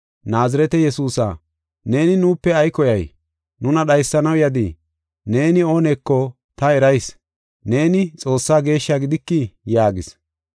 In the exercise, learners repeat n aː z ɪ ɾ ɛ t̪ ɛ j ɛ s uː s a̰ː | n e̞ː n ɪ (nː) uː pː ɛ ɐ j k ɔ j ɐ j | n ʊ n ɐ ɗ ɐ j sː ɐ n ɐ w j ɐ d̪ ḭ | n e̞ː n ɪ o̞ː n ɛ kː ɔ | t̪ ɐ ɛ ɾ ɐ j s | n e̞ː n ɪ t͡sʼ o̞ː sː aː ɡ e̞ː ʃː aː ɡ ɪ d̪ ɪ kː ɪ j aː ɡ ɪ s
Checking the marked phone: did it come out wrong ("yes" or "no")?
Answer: yes